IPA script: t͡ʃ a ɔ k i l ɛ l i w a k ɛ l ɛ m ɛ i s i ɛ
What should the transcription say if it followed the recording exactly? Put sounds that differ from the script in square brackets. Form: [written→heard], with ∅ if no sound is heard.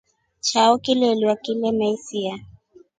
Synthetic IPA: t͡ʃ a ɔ k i l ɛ l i w a k [ɛ→i] l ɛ m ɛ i s i [ɛ→a]